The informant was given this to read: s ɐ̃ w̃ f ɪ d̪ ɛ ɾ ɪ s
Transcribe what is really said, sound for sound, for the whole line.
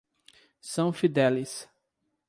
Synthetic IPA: s ɐ̃ w̃ f i d̪ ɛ l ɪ s